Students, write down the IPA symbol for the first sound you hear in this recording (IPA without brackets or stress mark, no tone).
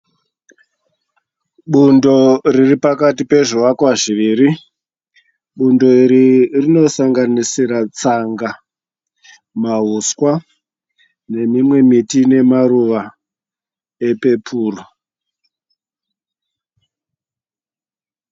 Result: ɓ